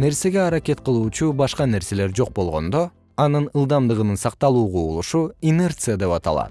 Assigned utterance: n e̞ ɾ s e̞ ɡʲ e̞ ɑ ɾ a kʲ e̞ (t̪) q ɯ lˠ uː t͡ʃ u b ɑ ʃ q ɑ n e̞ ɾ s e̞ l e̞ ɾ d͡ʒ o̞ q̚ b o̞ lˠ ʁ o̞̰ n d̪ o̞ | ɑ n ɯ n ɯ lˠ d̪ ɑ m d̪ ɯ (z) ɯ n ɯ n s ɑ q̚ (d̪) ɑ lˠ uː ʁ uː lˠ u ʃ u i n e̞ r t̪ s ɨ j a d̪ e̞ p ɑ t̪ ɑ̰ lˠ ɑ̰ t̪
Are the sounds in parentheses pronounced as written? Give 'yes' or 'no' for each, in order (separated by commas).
yes, no, no